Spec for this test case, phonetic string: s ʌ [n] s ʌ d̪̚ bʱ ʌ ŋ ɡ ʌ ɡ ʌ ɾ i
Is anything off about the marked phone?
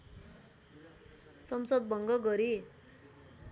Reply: yes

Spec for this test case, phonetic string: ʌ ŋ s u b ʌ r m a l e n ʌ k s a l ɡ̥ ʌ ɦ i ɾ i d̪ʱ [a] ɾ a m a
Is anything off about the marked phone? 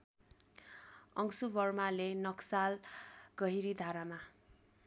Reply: no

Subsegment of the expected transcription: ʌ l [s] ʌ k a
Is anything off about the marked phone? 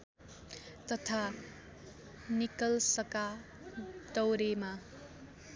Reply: no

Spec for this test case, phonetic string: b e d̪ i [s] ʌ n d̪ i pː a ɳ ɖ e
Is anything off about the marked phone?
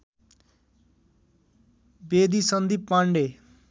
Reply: no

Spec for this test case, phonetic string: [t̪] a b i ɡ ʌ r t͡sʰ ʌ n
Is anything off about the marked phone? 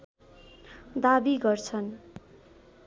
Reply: yes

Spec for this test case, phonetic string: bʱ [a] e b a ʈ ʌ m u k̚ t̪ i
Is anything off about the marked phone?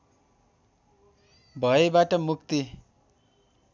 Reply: yes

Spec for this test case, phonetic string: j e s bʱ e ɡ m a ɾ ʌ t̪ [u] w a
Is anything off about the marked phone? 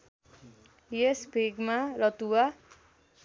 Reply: no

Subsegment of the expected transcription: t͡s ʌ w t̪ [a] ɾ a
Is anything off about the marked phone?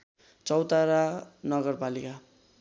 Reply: no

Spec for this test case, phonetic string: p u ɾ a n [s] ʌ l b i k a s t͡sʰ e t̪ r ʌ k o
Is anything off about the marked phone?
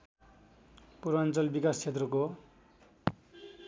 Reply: yes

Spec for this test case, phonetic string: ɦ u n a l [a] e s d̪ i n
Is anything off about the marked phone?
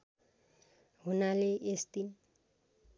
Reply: yes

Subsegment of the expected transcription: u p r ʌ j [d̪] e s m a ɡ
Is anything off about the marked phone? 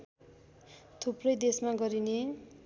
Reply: no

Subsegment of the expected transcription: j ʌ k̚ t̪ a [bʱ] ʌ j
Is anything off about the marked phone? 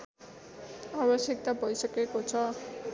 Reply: no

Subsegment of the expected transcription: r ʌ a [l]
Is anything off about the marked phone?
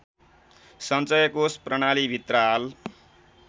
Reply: no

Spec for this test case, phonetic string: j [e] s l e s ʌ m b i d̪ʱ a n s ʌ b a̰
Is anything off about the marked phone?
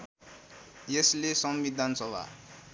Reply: no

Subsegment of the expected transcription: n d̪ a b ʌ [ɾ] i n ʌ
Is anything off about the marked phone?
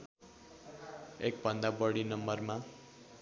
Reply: yes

